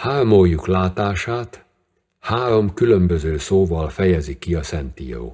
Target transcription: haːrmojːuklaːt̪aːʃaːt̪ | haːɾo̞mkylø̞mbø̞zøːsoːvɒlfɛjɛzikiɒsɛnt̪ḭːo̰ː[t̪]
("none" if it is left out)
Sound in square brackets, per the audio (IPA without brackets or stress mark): none